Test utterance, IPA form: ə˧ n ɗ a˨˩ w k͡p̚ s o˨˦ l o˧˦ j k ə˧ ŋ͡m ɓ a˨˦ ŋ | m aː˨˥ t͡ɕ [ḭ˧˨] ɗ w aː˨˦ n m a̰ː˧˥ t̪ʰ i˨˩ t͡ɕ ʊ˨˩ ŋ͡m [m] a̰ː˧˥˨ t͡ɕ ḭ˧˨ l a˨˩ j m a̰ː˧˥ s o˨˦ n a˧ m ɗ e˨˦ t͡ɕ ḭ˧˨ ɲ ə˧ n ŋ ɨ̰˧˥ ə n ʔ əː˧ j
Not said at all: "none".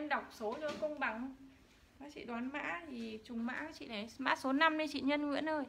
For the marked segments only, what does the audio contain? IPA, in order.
ḭ˧˨, m

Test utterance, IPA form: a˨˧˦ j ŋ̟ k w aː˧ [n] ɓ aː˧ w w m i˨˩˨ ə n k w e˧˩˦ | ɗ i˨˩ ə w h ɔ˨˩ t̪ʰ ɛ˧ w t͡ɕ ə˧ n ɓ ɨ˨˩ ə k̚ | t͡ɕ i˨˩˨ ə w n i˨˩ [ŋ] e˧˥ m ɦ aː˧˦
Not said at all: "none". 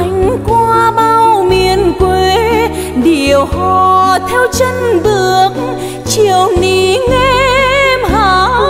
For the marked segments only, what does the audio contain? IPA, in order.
none, ŋ

